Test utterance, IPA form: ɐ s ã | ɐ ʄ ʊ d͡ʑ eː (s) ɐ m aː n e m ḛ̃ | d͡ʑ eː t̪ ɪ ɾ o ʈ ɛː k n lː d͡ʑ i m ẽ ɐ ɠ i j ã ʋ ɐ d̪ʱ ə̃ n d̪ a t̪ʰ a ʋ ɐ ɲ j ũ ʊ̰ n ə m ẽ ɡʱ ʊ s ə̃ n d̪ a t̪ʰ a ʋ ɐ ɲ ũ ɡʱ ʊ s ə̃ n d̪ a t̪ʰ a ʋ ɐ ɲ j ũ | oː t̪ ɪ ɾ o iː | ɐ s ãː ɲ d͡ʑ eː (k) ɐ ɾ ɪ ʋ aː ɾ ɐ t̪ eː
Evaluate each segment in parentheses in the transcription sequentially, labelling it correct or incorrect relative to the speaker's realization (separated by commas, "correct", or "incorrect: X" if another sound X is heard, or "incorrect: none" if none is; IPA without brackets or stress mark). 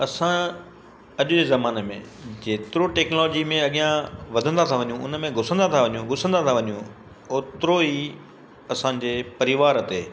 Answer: incorrect: z, incorrect: p